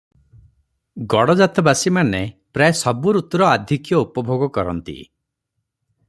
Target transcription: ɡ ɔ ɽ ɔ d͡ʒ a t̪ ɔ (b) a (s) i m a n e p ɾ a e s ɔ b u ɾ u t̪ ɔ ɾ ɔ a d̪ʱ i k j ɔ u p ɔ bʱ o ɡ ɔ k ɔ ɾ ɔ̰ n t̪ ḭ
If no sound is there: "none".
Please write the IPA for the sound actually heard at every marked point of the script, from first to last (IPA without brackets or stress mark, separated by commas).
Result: b, s